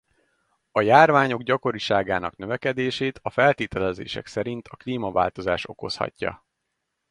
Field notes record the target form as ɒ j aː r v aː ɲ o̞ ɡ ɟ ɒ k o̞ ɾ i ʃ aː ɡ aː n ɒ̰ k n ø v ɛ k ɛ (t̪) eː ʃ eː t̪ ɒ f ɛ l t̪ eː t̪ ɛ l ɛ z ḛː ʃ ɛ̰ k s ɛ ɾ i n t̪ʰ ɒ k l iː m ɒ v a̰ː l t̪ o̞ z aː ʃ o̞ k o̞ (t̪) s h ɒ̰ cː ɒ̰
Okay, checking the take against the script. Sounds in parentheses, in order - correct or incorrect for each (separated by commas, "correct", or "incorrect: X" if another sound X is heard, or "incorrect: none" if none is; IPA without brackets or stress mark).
incorrect: d̪, incorrect: none